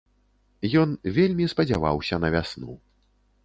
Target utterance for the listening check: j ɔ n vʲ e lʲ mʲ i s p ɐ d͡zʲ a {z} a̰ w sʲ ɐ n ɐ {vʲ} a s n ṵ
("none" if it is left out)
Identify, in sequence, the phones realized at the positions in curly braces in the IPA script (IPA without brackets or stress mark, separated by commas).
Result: v, vʲ